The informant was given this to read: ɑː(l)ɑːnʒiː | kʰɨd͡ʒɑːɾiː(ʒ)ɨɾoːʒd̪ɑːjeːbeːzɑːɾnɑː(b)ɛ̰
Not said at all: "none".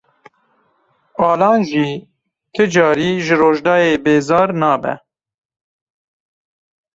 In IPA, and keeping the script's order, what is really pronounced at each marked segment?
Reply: l, ʒ, b

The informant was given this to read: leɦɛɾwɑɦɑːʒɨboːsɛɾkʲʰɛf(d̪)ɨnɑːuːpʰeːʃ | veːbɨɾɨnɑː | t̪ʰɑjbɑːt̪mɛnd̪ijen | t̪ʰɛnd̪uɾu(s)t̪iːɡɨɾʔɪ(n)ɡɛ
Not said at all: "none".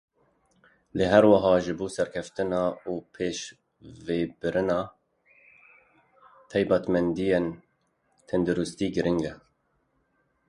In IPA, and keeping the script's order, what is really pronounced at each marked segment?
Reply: t̪, s, ŋ

